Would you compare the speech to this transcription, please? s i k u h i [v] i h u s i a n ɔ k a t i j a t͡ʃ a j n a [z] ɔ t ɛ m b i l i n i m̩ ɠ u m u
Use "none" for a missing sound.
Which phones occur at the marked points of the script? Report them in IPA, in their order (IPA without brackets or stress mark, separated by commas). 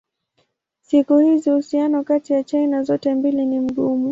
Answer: z, z